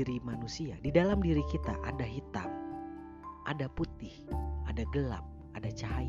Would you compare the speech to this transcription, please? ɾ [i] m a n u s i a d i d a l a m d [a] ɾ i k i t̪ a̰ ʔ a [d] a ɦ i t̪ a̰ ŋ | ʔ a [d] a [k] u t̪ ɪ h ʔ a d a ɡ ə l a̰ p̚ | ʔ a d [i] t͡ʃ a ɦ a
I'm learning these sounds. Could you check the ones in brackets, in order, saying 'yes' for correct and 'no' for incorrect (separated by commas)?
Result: yes, no, yes, yes, no, no